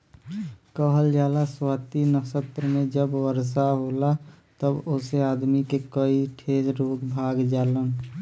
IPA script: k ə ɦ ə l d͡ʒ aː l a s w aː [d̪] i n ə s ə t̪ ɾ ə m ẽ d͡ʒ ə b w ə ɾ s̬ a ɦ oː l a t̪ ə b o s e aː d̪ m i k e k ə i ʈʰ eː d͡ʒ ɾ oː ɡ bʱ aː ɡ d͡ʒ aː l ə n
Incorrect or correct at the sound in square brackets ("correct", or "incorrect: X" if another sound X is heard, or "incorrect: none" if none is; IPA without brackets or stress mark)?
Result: incorrect: t̪